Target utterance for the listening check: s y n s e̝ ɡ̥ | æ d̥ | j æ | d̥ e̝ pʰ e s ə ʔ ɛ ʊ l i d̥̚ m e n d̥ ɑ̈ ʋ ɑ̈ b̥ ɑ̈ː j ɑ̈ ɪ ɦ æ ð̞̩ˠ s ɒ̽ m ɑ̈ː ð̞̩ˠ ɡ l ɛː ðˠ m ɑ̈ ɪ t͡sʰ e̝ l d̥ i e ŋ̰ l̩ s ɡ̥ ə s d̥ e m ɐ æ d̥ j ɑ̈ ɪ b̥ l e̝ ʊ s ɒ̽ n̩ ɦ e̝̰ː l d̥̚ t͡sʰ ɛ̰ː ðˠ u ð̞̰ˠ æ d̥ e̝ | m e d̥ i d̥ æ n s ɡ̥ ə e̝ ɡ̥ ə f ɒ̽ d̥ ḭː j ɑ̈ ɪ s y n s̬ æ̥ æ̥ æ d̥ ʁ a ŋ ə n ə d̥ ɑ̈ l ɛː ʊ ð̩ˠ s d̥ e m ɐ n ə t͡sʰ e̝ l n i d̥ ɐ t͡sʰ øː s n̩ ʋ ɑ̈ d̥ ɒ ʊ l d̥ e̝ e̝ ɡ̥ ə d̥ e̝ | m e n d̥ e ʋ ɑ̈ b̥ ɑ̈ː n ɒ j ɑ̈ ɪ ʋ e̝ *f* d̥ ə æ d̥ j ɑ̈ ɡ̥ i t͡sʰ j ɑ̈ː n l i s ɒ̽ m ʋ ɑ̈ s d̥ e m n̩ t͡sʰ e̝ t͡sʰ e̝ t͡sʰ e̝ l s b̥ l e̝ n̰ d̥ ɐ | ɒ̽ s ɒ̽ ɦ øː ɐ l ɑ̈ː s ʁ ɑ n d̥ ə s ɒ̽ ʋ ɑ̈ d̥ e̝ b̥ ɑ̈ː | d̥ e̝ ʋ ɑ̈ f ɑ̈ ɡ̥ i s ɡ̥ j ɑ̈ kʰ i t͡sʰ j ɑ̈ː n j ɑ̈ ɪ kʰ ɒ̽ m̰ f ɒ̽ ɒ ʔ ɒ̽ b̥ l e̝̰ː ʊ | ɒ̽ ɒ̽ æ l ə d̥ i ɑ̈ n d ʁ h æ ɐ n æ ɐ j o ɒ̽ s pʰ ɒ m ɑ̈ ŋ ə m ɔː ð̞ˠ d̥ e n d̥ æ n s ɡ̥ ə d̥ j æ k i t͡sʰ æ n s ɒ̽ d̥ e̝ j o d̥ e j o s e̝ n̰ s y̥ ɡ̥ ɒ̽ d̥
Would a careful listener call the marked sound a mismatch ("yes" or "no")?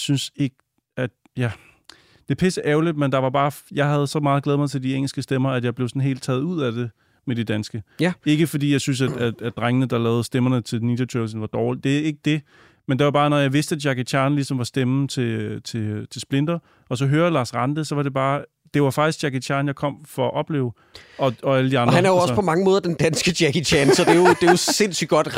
yes